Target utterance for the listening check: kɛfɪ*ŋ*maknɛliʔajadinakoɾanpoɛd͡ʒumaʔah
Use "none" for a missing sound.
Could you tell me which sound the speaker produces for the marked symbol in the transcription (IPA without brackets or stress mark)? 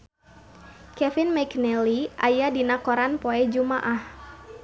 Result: n